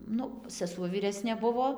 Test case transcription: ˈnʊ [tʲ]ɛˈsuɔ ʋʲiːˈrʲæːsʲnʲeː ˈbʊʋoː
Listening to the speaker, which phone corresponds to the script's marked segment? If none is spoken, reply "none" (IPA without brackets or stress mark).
sʲ